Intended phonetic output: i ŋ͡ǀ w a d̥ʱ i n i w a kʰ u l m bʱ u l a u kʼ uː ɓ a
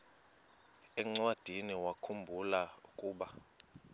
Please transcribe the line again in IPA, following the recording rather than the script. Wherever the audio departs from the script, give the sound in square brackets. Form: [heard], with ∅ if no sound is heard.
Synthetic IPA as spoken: [ɛ] ŋ͡ǀ w a d̥ʱ i n i w a kʰ u [∅] m bʱ u l a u kʼ uː ɓ a